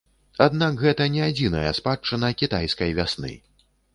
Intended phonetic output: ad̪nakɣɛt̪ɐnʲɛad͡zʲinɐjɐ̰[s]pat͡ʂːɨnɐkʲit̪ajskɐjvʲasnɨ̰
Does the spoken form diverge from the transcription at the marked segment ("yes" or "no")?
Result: no